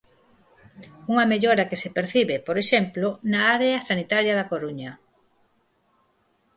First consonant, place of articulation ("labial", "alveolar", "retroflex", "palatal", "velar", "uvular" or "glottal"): velar